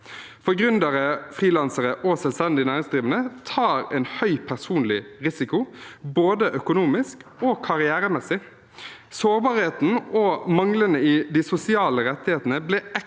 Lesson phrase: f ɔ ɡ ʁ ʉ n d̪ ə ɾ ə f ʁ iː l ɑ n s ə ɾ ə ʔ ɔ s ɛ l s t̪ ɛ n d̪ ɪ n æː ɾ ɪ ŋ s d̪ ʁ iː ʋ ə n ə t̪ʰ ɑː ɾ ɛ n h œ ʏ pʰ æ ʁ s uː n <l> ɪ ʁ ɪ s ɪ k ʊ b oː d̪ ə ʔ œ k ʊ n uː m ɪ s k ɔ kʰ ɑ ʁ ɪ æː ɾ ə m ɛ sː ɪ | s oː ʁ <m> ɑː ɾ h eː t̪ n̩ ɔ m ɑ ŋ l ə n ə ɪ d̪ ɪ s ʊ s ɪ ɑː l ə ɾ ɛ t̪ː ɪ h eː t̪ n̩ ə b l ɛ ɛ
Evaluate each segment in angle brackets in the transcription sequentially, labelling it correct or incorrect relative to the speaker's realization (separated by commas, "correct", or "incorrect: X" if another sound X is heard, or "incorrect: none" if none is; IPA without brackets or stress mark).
correct, incorrect: b